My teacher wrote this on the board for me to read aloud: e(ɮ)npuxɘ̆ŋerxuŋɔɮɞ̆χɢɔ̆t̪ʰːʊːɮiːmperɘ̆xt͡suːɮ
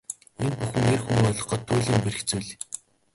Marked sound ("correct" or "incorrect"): incorrect